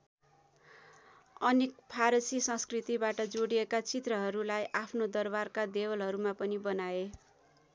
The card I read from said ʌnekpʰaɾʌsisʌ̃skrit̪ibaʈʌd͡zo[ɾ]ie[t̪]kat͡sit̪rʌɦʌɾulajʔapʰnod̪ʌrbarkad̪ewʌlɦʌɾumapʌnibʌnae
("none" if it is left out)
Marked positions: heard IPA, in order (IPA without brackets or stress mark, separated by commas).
ɽ, none